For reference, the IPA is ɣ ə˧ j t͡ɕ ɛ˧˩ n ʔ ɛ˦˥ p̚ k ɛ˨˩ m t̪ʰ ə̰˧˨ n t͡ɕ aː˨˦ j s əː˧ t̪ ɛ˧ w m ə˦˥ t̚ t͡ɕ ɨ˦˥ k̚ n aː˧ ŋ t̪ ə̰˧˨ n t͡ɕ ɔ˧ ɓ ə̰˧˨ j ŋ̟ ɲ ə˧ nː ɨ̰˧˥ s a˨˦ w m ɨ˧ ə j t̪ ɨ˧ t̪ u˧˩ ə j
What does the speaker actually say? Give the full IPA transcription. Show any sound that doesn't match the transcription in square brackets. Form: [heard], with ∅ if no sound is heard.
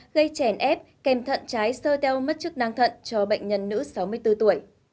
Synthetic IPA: ɣ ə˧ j t͡ɕ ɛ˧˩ n ʔ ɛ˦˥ p̚ k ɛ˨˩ m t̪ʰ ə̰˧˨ n t͡ɕ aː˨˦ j s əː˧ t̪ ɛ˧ w m ə˦˥ t̚ t͡ɕ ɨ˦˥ k̚ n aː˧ ŋ [t̪ʰ] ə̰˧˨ n t͡ɕ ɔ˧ ɓ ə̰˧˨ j ŋ̟ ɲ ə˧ nː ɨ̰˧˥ s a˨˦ w m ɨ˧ ə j t̪ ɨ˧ t̪ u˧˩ ə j